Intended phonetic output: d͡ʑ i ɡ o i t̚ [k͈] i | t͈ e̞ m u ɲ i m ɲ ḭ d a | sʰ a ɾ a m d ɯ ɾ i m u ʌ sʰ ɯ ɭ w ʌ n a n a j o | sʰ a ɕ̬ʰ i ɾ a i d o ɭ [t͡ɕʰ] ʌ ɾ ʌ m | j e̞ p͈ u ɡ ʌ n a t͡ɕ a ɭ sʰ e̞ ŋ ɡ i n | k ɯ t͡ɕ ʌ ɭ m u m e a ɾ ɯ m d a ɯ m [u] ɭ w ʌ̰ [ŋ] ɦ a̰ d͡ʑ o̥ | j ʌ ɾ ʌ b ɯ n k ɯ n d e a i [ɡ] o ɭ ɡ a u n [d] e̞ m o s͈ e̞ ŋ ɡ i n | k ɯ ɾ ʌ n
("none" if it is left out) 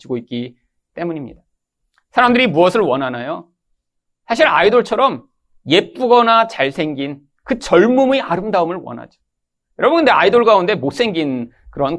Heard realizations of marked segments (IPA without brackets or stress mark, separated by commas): k͈, t͡ɕʰ, ɯ, n, d, d